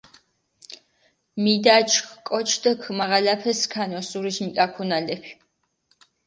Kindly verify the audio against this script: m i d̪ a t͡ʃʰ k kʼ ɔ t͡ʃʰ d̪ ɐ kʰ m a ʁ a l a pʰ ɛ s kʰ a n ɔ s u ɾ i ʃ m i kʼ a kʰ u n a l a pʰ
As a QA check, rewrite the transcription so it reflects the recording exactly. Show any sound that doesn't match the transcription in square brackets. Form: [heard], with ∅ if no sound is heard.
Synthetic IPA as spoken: m i d̪ a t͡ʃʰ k kʼ ɔ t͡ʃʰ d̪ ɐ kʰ m a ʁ a l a pʰ ɛ s kʰ a n ɔ s u ɾ i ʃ m i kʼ a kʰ u n a l [ɛ] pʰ